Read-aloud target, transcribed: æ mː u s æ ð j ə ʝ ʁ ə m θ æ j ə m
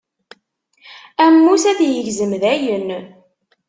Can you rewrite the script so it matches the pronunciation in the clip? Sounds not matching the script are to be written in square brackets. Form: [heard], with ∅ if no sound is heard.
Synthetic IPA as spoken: æ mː u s æ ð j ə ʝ [z] ə m [ð] æ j ə [n]